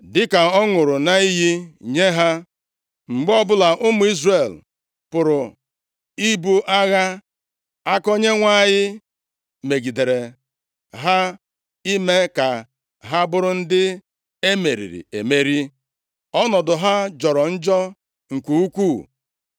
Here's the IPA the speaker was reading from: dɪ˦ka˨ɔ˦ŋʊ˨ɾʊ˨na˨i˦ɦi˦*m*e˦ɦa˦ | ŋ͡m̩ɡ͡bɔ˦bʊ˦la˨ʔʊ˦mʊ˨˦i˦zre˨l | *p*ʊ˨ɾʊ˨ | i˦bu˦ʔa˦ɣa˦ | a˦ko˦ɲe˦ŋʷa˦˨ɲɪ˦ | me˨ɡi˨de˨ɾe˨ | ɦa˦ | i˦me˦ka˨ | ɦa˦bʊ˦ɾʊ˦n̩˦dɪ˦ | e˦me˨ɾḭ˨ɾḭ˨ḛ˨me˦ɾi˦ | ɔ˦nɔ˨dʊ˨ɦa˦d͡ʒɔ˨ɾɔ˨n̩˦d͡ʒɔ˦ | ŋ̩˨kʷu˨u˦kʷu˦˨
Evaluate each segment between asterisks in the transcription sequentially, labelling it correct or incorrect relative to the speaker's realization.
incorrect: ɲ, correct

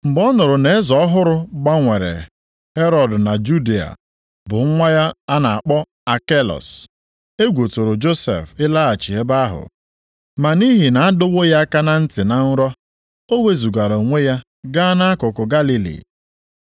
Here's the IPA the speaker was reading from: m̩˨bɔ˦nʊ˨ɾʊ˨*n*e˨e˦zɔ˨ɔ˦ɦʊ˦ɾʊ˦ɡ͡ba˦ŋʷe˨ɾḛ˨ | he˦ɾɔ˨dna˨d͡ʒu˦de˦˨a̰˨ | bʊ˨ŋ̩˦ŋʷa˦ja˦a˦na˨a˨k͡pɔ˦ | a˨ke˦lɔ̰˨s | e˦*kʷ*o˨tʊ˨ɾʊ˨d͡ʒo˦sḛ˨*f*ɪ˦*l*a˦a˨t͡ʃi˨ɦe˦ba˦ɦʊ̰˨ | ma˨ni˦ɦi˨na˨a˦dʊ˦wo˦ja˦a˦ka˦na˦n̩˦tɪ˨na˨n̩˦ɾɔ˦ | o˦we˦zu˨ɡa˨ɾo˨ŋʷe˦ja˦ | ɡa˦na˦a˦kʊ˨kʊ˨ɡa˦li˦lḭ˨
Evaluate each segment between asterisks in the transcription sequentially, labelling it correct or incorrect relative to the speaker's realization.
correct, incorrect: ɡʷ, correct, correct

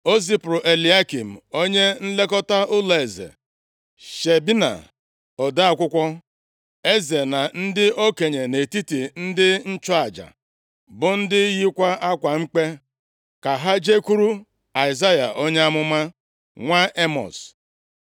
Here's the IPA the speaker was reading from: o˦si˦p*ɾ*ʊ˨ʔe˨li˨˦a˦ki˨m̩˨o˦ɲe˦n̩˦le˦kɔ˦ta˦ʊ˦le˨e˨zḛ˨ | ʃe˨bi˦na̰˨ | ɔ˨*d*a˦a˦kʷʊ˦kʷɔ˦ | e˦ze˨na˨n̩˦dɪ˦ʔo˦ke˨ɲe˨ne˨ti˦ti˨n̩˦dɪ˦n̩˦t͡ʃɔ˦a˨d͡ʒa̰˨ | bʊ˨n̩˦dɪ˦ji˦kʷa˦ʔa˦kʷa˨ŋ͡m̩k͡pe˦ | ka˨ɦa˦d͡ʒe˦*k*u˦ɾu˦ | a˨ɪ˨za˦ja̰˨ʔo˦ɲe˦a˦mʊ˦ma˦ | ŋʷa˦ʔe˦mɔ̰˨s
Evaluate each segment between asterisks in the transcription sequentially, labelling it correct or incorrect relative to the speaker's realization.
correct, correct, correct

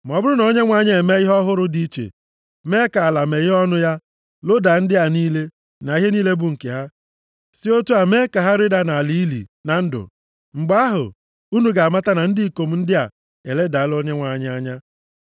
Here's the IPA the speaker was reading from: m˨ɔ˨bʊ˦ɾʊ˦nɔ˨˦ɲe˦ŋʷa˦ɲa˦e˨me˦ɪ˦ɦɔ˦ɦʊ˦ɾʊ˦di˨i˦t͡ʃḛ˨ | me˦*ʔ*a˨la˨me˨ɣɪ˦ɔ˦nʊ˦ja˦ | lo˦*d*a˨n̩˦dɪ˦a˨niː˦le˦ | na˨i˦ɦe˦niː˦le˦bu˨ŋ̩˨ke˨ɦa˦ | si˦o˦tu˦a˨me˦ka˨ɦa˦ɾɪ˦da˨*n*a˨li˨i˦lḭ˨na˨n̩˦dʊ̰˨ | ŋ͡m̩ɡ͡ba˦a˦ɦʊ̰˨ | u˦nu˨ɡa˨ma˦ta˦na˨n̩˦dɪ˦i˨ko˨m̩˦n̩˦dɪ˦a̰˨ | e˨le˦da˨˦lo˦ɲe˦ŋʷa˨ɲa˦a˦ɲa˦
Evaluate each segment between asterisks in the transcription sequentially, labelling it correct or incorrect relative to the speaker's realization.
incorrect: k, correct, correct

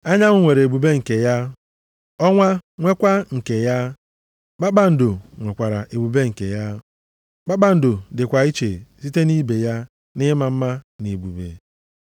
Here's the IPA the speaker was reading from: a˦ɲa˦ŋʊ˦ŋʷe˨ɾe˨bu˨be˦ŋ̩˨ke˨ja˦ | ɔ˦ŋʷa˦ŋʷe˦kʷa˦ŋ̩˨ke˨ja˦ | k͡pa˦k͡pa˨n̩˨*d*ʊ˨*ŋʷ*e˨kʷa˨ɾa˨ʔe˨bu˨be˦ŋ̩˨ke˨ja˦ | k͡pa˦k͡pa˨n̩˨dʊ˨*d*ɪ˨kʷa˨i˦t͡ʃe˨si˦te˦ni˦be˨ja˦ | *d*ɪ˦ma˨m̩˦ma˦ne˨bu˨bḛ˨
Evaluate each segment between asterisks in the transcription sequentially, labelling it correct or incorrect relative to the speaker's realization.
correct, correct, correct, incorrect: n

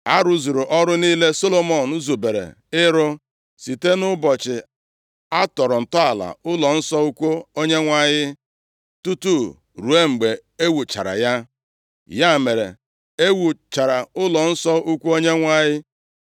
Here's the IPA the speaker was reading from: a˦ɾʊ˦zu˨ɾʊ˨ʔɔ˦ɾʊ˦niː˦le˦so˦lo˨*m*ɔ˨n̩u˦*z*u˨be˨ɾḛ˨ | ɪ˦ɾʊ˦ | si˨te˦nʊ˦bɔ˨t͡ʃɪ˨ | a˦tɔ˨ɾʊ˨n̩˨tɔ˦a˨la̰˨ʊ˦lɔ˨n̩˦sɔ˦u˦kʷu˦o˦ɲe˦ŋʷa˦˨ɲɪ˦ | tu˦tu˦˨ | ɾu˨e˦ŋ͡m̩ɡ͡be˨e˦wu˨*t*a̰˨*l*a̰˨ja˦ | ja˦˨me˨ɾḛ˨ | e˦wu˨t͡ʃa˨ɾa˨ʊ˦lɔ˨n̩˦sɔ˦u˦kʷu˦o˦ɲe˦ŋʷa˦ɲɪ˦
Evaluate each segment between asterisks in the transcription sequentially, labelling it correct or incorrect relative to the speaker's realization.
correct, correct, incorrect: t͡ʃ, incorrect: ɾ

